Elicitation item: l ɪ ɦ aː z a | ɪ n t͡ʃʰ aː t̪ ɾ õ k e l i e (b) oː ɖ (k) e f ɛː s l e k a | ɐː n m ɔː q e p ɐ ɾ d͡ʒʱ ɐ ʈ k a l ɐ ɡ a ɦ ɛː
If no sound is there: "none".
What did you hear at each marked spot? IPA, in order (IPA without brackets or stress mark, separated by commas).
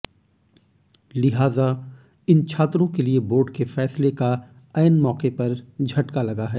b, k